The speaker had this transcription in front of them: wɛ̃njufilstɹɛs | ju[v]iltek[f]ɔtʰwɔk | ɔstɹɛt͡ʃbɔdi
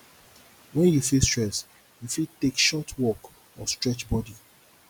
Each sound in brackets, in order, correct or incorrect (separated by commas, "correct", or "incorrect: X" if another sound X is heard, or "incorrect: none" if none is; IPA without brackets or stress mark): incorrect: f, incorrect: ʃ